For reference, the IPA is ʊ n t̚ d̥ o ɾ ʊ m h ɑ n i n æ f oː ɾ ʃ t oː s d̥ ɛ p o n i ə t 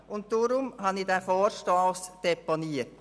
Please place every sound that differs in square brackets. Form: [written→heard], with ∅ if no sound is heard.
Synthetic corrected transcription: ʊ n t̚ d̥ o ɾ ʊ m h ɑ n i [n→d] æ f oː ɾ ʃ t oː s d̥ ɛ p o n i ə t